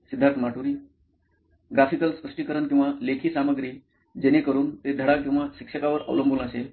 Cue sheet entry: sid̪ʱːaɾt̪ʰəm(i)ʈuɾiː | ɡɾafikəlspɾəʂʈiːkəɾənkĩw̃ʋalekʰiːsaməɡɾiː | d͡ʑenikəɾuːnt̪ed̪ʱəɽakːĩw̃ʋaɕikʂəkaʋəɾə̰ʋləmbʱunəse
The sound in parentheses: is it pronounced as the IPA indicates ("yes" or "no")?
no